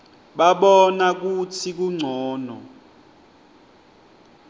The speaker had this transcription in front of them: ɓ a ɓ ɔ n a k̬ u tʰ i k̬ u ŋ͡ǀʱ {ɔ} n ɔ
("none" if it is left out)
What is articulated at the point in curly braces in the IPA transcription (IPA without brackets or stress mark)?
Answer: ɔː